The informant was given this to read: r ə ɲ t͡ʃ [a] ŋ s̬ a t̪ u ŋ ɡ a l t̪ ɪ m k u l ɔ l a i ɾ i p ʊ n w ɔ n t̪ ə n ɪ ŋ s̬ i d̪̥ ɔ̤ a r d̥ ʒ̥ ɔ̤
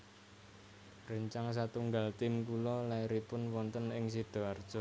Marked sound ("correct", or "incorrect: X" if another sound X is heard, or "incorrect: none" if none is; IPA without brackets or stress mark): correct